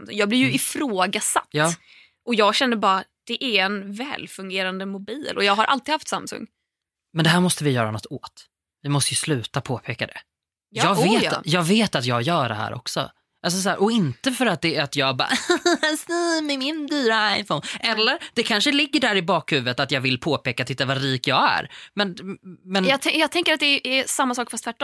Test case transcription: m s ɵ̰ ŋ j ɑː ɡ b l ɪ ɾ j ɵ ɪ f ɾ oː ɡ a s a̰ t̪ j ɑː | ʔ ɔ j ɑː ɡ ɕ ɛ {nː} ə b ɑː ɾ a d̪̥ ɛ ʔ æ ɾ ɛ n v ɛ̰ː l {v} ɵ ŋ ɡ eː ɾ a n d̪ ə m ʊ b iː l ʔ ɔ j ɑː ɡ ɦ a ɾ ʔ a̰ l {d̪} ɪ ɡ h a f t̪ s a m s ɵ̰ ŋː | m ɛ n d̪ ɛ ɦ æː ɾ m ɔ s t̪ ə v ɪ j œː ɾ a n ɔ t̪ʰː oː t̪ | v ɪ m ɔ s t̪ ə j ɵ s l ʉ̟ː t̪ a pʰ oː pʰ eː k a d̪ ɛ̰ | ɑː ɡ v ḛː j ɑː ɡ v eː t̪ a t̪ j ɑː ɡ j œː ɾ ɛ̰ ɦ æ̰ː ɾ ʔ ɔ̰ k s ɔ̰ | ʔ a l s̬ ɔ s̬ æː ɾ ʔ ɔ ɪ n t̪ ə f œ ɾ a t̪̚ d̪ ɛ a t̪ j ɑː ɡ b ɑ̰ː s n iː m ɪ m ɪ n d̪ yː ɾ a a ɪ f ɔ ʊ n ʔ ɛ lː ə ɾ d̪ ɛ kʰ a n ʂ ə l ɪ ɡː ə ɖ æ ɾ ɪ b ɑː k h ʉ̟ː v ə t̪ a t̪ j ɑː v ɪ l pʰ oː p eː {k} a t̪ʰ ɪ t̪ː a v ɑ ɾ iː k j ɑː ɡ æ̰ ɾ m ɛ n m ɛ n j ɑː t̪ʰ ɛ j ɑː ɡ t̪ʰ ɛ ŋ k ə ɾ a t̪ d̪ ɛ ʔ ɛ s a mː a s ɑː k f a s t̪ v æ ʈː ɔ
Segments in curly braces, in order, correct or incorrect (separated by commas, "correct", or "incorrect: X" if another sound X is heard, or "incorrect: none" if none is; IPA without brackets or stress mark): correct, incorrect: f, incorrect: t̪, correct